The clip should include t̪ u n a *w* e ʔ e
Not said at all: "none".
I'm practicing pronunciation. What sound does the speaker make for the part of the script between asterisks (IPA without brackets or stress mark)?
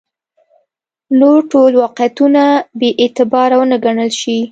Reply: b